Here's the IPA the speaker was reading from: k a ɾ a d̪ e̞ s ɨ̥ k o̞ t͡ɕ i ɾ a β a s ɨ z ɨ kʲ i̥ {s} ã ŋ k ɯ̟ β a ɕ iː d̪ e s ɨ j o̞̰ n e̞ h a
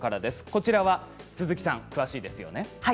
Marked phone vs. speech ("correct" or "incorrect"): correct